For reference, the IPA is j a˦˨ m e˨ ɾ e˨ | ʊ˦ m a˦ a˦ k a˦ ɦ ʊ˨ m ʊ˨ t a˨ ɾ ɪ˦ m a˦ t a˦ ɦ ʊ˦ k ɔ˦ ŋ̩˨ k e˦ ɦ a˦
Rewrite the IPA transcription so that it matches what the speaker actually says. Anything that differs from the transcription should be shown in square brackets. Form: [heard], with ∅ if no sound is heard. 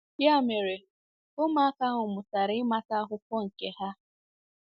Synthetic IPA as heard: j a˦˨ m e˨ ɾ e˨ | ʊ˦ m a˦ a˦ k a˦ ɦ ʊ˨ m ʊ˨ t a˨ ɾ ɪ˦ m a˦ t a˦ ɦ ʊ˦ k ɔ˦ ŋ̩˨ k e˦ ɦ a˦

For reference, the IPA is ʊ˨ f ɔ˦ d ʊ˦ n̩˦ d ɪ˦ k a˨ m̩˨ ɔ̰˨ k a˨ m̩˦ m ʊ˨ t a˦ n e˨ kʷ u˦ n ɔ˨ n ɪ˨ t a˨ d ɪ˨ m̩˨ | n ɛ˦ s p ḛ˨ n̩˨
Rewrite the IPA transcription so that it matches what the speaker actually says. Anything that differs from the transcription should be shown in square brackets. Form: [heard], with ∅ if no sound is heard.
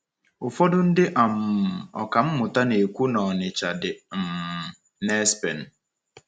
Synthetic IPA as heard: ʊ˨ f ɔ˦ d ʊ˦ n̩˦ d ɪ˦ [ʔ] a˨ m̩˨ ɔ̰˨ k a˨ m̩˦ m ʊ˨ t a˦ n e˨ kʷ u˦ n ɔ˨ n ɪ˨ [t͡ʃ] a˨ d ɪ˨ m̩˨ | n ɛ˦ s p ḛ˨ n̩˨

